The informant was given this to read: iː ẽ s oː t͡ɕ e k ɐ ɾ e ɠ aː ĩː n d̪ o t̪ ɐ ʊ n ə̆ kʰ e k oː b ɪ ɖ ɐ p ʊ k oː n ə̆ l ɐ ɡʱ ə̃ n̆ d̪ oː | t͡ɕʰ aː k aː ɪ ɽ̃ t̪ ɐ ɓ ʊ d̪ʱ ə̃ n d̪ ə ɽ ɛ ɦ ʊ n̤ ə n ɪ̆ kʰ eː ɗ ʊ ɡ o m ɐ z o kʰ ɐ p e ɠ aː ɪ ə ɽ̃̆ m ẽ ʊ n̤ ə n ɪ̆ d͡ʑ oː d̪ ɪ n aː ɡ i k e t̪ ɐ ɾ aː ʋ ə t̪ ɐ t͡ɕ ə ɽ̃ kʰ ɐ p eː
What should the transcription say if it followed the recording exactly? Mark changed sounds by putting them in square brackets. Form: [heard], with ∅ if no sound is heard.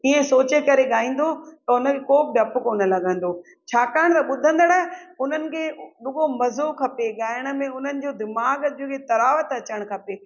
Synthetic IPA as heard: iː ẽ s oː t͡ɕ e k ɐ ɾ e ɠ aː ĩː n d̪ o t̪ ɐ ʊ n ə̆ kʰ e k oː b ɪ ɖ ɐ p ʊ k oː n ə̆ l ɐ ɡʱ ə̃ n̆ d̪ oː | t͡ɕʰ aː k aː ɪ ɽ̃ t̪ ɐ ɓ ʊ d̪ʱ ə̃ n d̪ ə ɽ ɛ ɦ ʊ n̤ ə n ɪ̆ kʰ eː ɗ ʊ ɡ o m ɐ z o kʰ ɐ p e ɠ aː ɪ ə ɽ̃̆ m ẽ ʊ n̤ ə n ɪ̆ d͡ʑ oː d̪ ɪ [m] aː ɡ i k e t̪ ɐ ɾ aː ʋ ə t̪ ɐ t͡ɕ ə ɽ̃ kʰ ɐ p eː